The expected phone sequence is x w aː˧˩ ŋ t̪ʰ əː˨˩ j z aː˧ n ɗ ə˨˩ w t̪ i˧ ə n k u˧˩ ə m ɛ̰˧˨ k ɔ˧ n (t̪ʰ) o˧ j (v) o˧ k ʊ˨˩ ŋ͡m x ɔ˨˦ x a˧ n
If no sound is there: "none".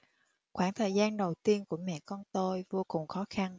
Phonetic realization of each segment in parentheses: t̪, v

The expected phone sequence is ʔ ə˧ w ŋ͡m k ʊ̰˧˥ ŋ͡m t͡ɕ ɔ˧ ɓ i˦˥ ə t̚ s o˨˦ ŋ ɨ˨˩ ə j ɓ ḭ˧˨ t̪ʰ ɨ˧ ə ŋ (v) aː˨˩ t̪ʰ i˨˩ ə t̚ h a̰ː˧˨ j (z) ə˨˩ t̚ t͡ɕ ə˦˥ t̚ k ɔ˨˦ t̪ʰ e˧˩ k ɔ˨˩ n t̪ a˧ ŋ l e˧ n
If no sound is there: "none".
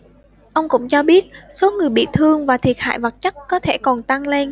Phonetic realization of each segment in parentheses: v, v

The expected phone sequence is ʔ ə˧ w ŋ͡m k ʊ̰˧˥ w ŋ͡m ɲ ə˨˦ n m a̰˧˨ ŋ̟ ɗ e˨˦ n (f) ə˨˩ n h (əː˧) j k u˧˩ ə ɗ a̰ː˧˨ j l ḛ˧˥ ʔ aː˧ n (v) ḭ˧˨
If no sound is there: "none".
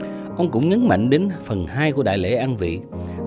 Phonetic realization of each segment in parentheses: f, aː˧, v

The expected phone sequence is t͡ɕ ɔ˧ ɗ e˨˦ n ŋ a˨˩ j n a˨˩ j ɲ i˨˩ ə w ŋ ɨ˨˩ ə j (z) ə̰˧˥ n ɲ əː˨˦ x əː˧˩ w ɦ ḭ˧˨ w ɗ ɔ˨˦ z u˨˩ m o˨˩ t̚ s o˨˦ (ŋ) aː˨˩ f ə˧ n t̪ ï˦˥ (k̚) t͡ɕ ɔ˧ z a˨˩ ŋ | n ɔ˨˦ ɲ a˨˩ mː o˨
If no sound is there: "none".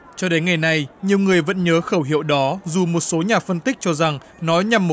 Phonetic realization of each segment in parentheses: v, ɲ, k̚

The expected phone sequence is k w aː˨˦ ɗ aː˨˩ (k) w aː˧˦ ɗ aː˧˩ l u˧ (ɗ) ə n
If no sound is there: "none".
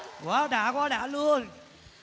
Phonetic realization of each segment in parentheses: k, none

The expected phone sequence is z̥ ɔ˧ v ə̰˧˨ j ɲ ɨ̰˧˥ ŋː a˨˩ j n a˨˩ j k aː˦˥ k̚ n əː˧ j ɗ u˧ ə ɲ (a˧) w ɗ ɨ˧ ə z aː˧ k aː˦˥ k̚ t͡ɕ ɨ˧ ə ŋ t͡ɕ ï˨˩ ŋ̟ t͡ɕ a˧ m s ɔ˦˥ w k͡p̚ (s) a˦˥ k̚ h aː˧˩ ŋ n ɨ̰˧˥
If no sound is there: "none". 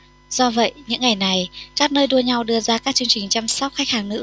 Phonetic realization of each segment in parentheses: a˧, x

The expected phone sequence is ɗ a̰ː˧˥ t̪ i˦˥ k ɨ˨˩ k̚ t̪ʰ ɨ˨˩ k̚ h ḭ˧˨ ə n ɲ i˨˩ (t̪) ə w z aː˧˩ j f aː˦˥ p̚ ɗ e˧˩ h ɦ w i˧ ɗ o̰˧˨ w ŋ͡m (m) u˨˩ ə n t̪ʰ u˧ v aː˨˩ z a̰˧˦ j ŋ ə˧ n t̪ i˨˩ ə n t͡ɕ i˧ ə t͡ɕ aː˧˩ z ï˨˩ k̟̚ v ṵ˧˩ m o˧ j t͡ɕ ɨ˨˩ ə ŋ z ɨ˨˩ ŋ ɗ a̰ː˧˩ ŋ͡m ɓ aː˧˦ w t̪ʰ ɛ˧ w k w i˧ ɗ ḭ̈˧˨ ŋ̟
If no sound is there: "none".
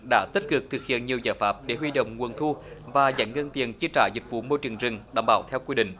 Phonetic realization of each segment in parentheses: none, ŋ

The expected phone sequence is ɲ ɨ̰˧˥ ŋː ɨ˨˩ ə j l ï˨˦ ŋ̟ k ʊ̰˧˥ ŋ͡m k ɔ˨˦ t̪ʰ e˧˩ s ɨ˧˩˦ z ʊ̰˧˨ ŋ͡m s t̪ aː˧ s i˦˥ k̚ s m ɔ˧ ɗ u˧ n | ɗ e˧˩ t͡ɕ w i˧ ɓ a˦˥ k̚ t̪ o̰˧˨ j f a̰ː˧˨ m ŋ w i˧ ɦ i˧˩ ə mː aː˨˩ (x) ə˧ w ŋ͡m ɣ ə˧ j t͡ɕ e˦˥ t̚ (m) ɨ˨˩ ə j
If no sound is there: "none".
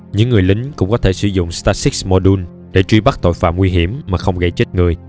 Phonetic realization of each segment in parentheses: x, ŋ

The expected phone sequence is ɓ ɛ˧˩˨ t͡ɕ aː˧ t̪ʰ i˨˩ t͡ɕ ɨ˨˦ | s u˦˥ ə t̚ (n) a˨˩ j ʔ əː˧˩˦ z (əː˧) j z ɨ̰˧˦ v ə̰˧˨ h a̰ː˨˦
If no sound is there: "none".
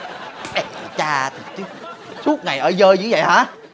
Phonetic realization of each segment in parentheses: ŋ, əː˧

